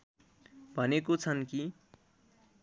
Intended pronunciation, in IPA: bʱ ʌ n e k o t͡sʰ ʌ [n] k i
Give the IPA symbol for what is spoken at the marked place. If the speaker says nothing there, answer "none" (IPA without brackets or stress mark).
n